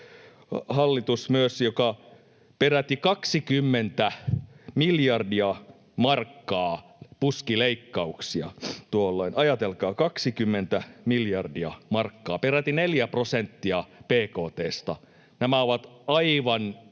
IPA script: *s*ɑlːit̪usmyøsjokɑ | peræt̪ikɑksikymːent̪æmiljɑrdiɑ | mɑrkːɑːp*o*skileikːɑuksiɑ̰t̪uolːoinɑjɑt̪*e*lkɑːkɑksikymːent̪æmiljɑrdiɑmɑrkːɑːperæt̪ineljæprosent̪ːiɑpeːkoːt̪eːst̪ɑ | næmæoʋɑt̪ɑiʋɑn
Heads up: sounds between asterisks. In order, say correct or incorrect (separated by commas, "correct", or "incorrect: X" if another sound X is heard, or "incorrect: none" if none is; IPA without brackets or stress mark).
incorrect: h, incorrect: u, correct